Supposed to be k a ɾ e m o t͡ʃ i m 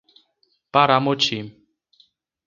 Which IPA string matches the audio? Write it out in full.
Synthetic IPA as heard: p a ɾ a m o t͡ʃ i m

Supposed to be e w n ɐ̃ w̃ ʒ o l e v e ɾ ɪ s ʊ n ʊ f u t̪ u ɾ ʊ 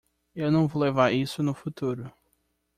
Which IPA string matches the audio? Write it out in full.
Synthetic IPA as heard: e w n ɐ̃ w̃ v o l e v a ɾ i s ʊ n ʊ f u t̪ u ɾ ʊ

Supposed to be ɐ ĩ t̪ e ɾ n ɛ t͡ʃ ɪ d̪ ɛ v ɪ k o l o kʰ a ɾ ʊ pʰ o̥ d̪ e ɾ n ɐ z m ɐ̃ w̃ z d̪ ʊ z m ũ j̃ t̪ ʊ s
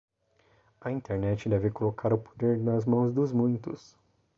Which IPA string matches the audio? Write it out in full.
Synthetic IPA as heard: ɐ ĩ t̪ e ɾ n ɛ t͡ʃ ɪ d̪ ɛ v ɪ k o l o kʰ a ɾ ʊ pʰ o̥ d̪ e ɾ n ɐ z m ɐ̃ w̃ z d̪ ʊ z m ũ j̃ t̪ ʊ s

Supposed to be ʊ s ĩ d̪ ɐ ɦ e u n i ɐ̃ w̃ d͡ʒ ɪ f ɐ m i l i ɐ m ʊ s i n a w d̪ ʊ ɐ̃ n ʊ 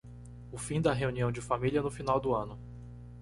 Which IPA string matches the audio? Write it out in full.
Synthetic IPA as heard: ʊ f ĩ d̪ ɐ ɦ e u n i ɐ̃ w̃ d͡ʒ ɪ f a m i l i ɐ n ʊ f i n a w d̪ ʊ ɐ̃ n ʊ

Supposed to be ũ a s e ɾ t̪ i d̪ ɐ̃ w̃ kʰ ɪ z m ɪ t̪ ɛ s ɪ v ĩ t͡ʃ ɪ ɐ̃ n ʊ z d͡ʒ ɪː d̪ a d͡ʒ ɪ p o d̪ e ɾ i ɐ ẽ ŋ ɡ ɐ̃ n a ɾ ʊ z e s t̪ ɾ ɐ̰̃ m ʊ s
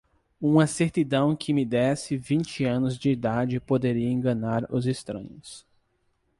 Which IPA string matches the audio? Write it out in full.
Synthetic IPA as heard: ũ a s e ɾ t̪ i d̪ ɐ̃ w̃ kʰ ɪ m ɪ d̪ ɛ s ɪ v ĩ t͡ʃ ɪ ɐ̃ n ʊ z d͡ʒ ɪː d̪ a d͡ʒ ɪ p o d̪ e ɾ i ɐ ẽ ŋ ɡ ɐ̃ n a ɾ ʊ z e s t̪ ɾ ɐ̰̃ ɲ ʊ s

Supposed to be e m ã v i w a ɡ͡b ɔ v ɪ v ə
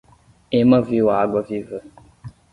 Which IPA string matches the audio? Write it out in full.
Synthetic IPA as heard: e m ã v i w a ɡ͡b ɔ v i v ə

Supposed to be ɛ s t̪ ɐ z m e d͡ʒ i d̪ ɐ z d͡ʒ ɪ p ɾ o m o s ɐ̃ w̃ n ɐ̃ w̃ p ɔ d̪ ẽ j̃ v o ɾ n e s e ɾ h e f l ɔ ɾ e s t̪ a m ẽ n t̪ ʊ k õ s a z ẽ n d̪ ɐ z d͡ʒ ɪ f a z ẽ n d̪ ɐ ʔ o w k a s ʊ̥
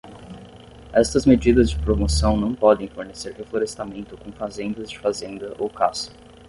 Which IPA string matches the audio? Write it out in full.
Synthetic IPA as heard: ɛ s t̪ ɐ z m e d͡ʒ i d̪ ɐ z d͡ʒ ɪ p ɾ o m o s ɐ̃ w̃ n ɐ̃ w̃ p ɔ d̪ ẽ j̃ f o ɾ n e s e ɾ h e f l o ɾ e s t̪ a m ẽ n t̪ ʊ k õ f a z ẽ n d̪ ɐ z d͡ʒ ɪ f a z ẽ n d̪ ɐ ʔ o w k a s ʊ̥

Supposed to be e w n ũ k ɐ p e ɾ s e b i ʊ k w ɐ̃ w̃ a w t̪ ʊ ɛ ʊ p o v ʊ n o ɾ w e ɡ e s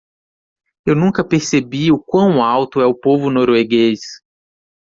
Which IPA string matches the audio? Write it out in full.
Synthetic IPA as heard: e w n ũ k ɐ p e ɾ s e b i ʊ k w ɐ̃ w̃ a w t̪ ʊ ɛ ʊ p o v ʊ n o ɾ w e ɡ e s

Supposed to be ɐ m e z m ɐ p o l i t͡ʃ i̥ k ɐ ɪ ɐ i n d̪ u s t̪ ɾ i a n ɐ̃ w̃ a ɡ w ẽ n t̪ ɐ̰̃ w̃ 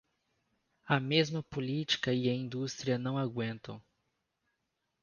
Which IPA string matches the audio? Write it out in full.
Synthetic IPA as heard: ɐ m e z m ɐ p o l i t͡ʃ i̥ k ɐ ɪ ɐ ĩ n d̪ u s t̪ ɾ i ɐ n ɐ̃ w̃ a ɡ w ẽ n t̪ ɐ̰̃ w̃

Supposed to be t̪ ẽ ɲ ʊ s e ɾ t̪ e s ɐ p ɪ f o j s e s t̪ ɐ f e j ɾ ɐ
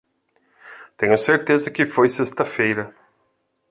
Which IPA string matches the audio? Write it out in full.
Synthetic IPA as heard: t̪ ẽ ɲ ʊ s e ɾ t̪ e z ɐ k ɪ f o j s e s t̪ ɐ f e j ɾ ɐ

